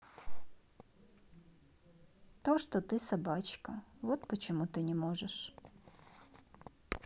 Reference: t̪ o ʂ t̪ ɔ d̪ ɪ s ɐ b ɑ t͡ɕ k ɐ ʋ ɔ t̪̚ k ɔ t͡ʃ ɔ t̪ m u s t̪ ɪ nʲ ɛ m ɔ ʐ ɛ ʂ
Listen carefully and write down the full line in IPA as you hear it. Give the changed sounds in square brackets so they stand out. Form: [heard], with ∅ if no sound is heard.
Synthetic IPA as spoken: t̪ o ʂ t̪ ɔ [t̪] ɪ s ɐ b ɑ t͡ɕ k ɐ ʋ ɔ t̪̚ [p] ɔ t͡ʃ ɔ [∅] m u [∅] t̪ ɪ nʲ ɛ m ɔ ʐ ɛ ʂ